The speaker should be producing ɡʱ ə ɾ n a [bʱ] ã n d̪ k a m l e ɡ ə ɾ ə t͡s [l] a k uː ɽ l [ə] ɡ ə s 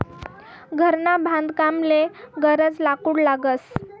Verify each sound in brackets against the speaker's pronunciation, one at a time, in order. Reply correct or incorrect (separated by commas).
correct, correct, incorrect